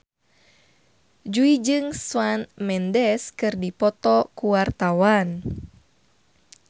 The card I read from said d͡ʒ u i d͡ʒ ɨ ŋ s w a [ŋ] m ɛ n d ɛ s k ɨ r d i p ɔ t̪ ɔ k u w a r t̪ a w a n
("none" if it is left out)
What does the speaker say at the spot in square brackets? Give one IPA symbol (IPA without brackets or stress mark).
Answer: n